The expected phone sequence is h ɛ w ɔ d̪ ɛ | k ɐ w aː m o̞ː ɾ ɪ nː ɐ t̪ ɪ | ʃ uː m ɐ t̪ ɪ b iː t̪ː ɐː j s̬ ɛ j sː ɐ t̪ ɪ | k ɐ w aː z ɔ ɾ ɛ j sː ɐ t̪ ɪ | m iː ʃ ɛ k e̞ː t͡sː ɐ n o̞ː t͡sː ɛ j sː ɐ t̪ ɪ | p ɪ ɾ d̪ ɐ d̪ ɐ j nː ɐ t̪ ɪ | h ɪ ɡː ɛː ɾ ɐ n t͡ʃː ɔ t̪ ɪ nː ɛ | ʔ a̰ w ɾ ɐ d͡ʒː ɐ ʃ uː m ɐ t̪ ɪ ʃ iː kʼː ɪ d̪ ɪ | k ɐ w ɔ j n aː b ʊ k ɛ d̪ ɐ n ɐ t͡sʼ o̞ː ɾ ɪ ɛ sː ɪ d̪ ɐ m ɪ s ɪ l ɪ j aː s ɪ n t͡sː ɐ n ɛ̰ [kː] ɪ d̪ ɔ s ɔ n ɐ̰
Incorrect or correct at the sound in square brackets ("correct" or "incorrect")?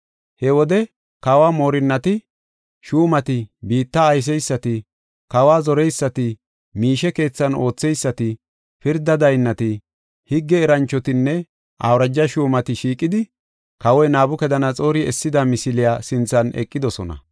incorrect